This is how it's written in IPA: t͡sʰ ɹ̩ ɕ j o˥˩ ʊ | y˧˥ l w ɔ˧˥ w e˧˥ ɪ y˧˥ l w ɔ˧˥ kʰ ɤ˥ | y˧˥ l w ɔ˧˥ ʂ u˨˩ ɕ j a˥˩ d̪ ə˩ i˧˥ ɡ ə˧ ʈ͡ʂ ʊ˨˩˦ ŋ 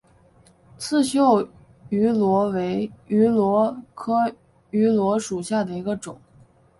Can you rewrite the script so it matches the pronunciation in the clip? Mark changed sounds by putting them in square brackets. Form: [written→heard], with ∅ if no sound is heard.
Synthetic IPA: t͡sʰ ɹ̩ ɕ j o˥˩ ʊ | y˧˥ l w ɔ˧˥ w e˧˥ ɪ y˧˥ l w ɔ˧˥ kʰ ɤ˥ | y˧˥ l w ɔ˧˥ ʂ u˨˩ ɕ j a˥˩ d̪ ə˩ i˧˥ ɡ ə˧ ʈ͡ʂ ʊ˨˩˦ ŋ